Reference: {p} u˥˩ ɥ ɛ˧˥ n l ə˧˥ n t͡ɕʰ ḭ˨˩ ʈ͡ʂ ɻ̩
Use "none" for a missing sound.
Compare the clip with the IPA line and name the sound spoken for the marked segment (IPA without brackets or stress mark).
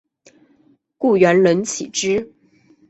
k